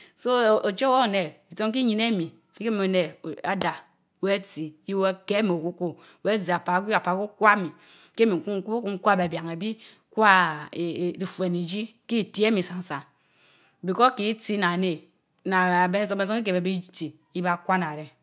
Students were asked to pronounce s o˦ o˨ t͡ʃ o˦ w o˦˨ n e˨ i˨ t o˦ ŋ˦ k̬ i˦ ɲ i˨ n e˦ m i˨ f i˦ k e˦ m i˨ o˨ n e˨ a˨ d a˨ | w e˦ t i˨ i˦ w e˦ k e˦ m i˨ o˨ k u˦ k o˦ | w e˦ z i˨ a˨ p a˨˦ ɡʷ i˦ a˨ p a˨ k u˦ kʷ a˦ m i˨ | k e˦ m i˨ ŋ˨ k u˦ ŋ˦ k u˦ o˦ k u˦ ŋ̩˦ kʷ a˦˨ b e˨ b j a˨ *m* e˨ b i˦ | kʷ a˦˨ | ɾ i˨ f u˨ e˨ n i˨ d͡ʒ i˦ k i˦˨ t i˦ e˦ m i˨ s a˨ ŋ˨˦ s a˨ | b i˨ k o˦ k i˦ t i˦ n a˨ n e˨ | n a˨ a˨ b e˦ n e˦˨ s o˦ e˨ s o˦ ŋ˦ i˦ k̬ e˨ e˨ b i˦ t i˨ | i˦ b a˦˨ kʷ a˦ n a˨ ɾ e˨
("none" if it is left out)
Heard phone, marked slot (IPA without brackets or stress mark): ŋ